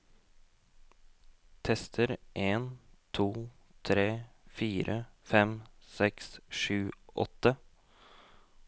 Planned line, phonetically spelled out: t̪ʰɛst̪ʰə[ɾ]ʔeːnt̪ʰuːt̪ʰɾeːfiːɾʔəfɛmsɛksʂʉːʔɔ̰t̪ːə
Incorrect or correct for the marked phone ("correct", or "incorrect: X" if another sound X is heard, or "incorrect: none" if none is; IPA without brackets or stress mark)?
correct